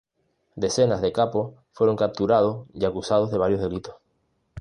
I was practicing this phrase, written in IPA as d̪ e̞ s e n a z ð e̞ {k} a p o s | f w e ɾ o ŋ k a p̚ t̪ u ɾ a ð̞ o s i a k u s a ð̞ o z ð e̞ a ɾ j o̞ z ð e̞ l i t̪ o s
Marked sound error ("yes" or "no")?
no